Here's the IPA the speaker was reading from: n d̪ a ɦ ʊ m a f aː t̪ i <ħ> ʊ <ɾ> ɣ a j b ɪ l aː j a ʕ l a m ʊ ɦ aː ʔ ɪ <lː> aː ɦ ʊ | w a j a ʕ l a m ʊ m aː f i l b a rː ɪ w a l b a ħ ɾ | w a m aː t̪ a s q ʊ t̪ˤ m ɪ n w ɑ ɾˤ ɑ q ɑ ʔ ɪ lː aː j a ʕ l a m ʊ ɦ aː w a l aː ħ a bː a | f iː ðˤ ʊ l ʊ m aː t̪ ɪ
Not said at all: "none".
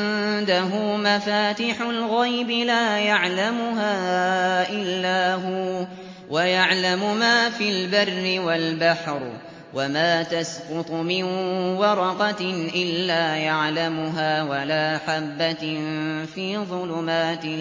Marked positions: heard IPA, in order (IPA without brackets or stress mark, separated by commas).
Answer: ħ, l, lː